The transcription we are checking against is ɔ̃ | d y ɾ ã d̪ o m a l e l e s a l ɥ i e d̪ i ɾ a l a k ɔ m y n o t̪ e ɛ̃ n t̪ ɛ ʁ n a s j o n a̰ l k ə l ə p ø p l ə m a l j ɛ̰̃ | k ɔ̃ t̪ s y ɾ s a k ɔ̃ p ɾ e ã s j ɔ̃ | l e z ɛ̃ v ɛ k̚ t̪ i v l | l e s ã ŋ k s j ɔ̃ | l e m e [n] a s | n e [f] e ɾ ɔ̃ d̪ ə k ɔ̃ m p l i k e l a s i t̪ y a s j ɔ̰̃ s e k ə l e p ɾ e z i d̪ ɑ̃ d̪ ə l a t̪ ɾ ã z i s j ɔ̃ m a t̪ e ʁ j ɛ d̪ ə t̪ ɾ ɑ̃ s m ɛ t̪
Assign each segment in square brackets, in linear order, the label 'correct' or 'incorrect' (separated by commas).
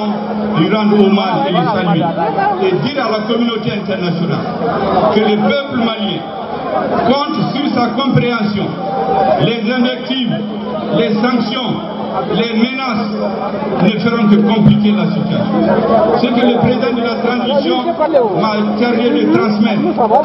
correct, correct